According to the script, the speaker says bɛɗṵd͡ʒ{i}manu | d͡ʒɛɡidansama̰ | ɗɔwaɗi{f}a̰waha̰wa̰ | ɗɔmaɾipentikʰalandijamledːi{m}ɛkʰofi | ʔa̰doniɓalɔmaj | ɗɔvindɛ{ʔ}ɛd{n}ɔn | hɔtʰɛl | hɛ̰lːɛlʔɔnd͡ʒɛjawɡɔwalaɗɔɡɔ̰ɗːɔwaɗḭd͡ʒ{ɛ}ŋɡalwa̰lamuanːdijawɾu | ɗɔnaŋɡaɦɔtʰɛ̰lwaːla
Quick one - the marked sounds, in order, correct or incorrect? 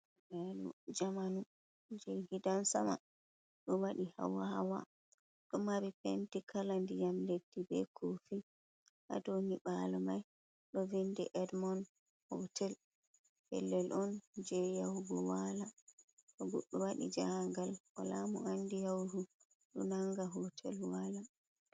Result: incorrect, incorrect, incorrect, correct, incorrect, incorrect

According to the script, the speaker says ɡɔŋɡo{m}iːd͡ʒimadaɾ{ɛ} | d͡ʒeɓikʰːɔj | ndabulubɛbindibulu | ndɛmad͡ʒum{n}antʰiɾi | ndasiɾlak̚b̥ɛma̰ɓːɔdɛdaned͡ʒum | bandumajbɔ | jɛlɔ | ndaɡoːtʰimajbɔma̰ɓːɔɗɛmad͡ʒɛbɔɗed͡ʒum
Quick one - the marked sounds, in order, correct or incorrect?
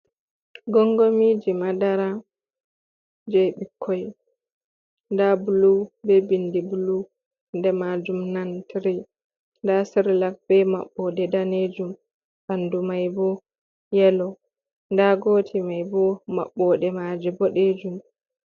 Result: correct, incorrect, correct

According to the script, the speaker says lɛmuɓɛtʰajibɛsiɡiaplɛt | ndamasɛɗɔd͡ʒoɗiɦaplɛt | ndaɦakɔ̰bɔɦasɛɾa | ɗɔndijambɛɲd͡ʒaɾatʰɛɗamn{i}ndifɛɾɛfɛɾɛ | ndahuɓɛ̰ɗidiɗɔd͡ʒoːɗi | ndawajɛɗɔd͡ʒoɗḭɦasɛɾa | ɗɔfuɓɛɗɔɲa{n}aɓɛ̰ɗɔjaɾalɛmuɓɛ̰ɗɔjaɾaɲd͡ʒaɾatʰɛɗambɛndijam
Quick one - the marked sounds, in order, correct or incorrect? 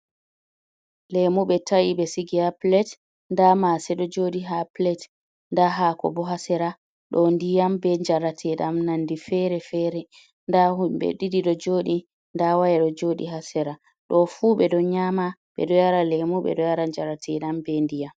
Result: incorrect, incorrect

